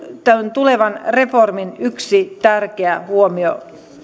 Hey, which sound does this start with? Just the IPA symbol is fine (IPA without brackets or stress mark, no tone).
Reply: t̪